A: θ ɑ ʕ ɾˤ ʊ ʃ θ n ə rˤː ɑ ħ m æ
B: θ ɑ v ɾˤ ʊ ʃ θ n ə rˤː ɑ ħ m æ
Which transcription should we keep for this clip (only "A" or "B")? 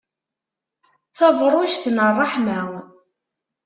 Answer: B